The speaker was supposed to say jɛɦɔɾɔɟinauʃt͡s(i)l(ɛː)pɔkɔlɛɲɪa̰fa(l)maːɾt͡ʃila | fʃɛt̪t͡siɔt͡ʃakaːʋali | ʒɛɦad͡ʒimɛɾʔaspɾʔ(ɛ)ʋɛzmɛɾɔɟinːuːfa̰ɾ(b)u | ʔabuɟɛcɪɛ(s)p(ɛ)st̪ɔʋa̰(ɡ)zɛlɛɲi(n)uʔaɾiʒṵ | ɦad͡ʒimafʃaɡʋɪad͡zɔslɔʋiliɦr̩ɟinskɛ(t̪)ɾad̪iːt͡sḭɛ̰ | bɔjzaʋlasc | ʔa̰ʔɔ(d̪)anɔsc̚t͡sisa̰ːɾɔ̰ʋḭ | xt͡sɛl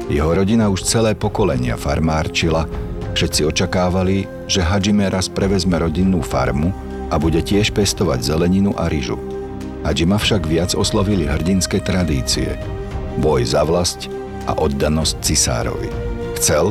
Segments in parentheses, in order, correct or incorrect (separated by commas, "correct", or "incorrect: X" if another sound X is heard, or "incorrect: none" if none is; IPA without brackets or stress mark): incorrect: ɛ, correct, incorrect: ɾ, correct, incorrect: m, incorrect: ʃ, correct, incorrect: ɟ, correct, correct, incorrect: d̪ː